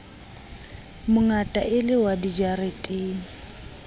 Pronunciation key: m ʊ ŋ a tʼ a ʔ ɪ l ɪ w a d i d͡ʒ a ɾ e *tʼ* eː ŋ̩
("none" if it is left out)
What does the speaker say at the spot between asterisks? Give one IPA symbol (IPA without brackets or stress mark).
tʼ